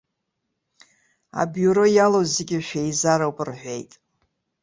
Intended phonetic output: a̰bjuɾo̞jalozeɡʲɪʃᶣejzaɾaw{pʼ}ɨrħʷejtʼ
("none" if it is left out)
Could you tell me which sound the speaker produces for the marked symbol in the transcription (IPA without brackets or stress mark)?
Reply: pʼ